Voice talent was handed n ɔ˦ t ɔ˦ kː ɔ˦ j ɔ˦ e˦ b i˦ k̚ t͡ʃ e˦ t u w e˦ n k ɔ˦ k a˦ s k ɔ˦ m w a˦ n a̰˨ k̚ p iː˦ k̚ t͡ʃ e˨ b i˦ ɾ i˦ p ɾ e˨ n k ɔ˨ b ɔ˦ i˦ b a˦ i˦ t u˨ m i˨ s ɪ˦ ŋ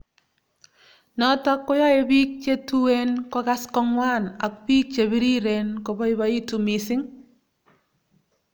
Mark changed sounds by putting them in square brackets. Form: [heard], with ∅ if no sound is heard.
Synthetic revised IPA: n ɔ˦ t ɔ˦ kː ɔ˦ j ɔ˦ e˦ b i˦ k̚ t͡ʃ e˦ t u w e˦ n k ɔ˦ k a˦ s k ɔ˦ [ŋ] w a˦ n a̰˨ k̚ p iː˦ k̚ t͡ʃ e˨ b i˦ ɾ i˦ [∅] ɾ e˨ n k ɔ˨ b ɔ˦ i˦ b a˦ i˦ t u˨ m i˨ s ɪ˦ ŋ